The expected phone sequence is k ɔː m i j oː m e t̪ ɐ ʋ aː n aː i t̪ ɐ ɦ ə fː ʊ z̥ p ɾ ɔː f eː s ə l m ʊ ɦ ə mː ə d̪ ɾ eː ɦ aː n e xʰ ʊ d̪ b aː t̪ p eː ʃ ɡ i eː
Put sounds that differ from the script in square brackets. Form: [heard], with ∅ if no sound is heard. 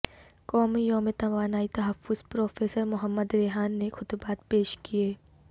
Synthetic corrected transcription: k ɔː m i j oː m e t̪ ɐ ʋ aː n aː i t̪ ɐ ɦ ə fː ʊ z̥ p ɾ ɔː f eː s ə [ɾ] m ʊ ɦ ə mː ə d̪ ɾ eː ɦ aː [nː] e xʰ ʊ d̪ b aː t̪ p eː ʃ [k] i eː